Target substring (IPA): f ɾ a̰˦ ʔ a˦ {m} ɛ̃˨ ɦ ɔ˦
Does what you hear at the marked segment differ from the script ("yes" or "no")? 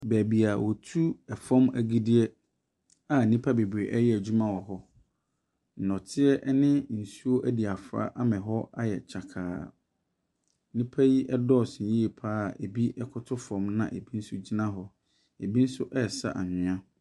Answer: no